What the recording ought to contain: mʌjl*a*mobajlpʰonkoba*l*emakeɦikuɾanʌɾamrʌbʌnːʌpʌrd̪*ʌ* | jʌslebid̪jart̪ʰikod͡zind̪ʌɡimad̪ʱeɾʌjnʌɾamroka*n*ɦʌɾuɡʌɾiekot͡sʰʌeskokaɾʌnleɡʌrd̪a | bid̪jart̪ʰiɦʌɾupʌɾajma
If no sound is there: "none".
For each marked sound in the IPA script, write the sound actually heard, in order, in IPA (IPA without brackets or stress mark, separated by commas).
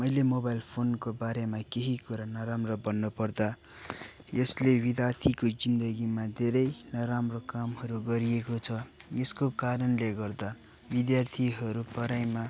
e, ɾ, a, m